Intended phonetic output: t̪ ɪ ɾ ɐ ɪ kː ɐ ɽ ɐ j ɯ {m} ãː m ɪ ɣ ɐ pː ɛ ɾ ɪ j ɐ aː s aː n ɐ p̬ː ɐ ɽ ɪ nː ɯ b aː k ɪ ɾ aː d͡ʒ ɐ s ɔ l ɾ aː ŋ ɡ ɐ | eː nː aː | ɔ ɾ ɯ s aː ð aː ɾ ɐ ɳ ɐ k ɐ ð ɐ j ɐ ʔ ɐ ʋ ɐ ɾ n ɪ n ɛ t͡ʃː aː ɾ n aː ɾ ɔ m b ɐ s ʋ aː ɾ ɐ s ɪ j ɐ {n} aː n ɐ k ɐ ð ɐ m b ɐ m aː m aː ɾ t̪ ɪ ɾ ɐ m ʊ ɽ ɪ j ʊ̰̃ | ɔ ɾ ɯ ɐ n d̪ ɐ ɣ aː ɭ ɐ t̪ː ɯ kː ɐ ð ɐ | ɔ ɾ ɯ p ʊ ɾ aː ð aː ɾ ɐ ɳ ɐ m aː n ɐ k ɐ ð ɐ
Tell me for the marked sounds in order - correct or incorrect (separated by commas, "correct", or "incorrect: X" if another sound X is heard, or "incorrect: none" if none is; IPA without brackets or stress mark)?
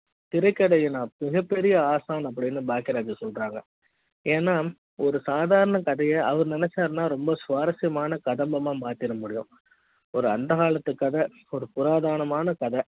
incorrect: n, incorrect: m